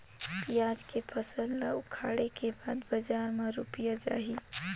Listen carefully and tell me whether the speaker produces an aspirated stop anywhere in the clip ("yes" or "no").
yes